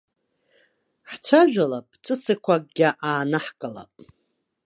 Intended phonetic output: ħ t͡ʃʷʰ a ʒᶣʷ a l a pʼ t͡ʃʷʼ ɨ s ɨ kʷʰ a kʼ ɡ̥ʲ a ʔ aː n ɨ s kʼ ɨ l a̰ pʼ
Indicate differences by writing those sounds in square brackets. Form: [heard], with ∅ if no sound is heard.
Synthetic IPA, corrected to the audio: ħ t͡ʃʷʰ a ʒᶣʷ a l a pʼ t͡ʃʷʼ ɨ s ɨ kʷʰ a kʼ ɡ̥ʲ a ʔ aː n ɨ [ħ] kʼ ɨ l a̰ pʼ